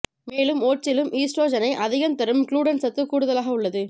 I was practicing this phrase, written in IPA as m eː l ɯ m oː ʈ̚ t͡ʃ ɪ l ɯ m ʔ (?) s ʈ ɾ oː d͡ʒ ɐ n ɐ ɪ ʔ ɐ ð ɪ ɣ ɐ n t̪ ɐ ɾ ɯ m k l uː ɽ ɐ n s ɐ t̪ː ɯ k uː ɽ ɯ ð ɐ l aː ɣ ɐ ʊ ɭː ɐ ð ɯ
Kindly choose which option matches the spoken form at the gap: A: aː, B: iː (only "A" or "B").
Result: B